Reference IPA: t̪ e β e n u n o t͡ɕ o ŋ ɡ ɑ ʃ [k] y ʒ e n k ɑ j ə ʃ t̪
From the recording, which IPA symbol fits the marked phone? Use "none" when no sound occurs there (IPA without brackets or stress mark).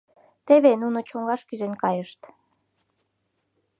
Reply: k